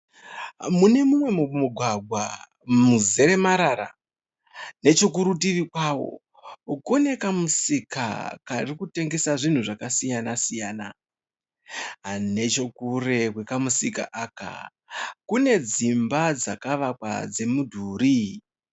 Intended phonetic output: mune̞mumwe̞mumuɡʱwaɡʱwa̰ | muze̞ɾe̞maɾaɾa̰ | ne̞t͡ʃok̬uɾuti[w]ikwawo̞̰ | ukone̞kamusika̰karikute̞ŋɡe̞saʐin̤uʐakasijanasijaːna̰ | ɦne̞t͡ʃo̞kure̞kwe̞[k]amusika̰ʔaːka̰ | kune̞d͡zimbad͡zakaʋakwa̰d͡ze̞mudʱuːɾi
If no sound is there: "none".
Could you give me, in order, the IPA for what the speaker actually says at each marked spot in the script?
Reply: ʋ, k

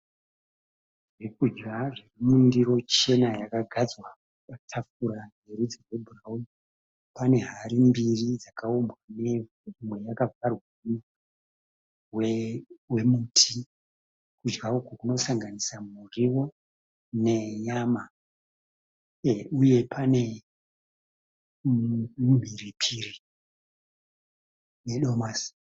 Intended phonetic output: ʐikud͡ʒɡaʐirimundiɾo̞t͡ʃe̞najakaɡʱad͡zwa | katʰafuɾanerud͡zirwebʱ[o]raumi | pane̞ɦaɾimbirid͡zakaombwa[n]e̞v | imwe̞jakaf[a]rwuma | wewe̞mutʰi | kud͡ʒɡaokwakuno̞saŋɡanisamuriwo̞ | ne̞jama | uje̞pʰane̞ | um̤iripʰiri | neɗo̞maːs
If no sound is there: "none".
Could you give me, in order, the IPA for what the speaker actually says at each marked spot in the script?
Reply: u, n, a

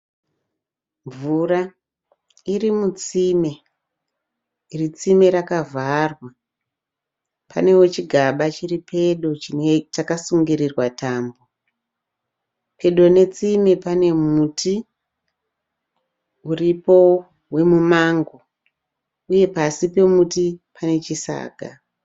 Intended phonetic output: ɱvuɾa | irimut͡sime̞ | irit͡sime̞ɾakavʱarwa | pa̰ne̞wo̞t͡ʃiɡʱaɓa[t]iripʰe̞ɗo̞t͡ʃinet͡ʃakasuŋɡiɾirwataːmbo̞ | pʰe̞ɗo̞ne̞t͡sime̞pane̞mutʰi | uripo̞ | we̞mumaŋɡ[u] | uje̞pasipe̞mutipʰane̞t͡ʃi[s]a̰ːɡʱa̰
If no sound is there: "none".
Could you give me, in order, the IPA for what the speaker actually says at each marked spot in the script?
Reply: t͡ʃ, o, s

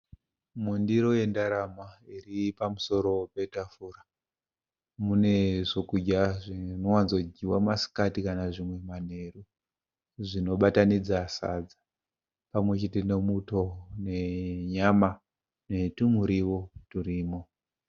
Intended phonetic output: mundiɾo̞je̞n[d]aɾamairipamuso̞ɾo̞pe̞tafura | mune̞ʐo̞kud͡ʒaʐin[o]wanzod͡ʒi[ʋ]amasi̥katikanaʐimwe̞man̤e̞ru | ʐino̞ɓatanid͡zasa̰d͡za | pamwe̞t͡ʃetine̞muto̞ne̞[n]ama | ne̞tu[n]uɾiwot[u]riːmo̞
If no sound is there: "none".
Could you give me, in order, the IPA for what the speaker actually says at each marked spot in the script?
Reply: d, o, w, ɲ, m, u

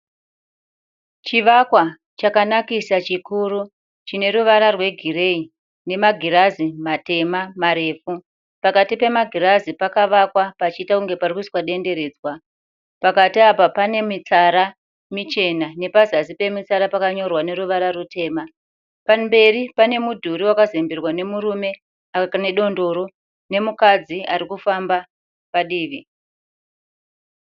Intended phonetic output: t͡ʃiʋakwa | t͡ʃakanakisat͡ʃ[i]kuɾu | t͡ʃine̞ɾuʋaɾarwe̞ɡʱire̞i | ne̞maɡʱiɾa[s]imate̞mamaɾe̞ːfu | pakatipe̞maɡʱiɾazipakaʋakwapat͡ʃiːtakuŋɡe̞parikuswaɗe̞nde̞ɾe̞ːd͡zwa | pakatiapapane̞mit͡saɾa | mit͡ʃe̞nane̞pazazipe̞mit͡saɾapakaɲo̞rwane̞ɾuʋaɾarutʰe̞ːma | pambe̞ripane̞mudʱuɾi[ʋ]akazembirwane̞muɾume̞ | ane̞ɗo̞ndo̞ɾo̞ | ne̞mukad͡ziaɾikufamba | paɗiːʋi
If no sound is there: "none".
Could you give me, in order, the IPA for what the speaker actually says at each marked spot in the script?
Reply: i, z, w

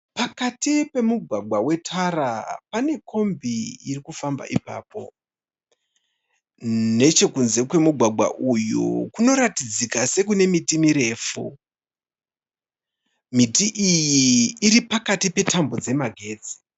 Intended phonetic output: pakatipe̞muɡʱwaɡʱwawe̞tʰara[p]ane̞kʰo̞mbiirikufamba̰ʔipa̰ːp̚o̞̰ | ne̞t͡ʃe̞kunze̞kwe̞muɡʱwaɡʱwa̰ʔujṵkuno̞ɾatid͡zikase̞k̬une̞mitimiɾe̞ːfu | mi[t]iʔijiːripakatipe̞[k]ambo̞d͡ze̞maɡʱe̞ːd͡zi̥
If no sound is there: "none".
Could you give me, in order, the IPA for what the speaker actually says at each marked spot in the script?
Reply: p, t, t

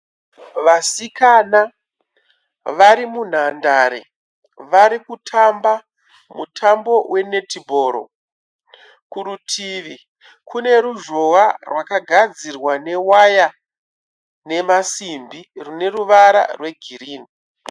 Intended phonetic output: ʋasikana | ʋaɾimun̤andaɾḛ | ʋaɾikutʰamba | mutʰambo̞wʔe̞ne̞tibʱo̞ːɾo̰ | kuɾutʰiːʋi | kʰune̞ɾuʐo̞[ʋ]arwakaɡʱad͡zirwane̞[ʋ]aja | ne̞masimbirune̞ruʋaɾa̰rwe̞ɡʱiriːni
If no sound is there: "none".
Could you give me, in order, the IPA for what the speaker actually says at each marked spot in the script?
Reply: w, w

